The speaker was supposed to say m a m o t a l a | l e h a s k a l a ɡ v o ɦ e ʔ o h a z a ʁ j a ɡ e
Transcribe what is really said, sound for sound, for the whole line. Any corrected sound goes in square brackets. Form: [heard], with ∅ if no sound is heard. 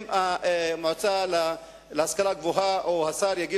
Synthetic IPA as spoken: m a m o [t͡s] a l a | l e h a s k a l a ɡ v o ɦ [a] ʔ o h a [s] a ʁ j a ɡ [i]